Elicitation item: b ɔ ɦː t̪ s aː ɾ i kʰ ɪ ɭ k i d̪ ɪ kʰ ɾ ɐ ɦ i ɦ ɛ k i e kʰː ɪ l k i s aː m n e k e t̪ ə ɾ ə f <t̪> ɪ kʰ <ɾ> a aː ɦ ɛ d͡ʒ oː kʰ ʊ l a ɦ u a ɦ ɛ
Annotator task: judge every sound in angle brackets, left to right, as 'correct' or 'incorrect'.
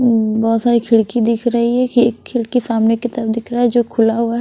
incorrect: d̪, correct

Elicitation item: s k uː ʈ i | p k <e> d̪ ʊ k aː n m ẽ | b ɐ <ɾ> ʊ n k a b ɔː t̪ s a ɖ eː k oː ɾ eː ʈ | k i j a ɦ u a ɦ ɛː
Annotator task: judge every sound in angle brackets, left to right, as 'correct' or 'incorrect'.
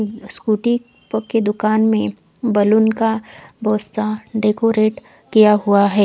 correct, incorrect: l

